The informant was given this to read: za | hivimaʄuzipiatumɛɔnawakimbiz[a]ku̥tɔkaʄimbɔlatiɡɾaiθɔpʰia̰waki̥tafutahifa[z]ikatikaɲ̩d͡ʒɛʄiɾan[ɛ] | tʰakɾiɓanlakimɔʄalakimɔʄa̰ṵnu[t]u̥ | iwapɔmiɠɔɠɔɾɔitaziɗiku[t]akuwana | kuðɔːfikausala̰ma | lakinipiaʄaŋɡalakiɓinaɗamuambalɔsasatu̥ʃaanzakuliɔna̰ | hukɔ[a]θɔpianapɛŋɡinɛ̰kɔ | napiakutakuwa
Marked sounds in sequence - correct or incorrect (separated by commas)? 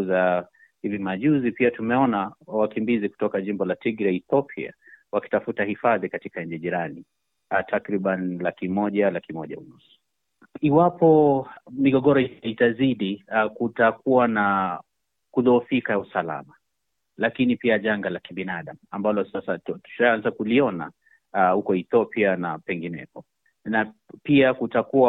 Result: incorrect, incorrect, incorrect, incorrect, correct, incorrect